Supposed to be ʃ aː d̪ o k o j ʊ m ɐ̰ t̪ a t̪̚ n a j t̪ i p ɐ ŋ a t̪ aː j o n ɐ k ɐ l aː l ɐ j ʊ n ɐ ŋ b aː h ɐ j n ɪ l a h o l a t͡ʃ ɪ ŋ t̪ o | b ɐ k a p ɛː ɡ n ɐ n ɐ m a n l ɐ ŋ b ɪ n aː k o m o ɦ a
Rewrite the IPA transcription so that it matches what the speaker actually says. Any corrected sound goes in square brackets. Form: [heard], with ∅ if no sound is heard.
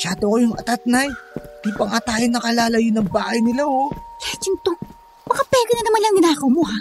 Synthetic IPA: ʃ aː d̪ o k o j ʊ [ŋ] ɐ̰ t̪ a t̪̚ n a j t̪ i p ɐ ŋ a t̪ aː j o n ɐ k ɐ l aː l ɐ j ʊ n ɐ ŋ b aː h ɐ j n ɪ l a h o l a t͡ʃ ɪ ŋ t̪ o | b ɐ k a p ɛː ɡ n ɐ n ɐ m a n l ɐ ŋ [ɡ] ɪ n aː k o m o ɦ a